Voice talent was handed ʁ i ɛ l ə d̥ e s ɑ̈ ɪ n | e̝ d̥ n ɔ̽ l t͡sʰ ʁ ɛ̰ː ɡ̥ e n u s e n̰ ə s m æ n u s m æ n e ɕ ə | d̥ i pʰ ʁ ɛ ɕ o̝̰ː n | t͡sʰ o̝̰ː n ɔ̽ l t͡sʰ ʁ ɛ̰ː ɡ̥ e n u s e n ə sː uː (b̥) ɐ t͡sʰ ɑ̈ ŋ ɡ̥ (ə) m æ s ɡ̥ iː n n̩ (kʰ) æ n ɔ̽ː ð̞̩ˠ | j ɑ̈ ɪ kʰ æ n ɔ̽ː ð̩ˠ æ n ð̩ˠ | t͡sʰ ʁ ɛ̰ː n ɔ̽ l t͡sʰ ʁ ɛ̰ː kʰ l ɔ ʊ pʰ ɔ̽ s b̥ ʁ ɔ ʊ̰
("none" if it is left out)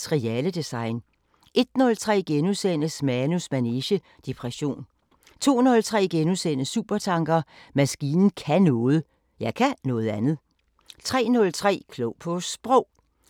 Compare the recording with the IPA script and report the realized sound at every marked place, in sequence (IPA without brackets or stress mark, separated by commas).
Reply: b̥, ɐ, kʰ